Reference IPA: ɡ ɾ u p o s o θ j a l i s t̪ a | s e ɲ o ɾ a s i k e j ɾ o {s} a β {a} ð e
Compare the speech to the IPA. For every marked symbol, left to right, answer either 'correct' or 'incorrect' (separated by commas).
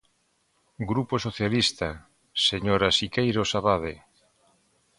correct, correct